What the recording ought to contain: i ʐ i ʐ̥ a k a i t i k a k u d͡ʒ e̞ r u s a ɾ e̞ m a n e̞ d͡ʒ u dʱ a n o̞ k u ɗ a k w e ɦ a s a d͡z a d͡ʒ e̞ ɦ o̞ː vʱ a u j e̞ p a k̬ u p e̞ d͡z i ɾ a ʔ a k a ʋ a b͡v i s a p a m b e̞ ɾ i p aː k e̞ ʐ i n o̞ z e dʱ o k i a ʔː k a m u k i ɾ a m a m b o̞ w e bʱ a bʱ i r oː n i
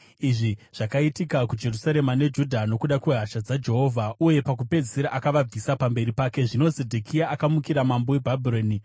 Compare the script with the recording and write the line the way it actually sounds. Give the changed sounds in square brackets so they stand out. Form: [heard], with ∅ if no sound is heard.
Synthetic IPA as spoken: i ʐ i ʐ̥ a k a i t i k a k u d͡ʒ e̞ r u s a ɾ e̞ m a n e̞ d͡ʒ u dʱ a n o̞ k u ɗ a k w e ɦ a [ʃ] a d͡z a d͡ʒ e̞ ɦ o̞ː vʱ a u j e̞ p a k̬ u p e̞ d͡z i ɾ a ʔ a k a ʋ a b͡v i s a p a m b e̞ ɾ i p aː k e̞ ʐ i n o̞ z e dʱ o k i a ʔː k a m u k i ɾ a m a m b o̞ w e bʱ a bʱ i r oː n i